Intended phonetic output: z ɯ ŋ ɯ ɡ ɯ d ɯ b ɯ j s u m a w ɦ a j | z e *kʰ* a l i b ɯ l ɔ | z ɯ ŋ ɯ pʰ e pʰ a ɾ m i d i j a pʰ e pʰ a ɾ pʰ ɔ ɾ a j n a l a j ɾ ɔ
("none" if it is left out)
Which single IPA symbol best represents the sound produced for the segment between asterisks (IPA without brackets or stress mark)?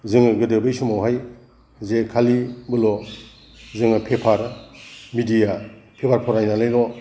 kʰ